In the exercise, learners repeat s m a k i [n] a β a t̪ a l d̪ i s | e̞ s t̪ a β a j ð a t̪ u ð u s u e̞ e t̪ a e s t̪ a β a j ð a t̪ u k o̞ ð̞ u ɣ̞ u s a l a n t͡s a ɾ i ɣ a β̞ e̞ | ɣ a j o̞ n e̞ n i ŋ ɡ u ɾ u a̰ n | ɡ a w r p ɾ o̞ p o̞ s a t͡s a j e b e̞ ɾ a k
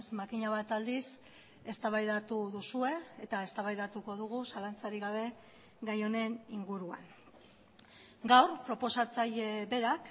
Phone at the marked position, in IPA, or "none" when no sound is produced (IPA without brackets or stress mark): ɲ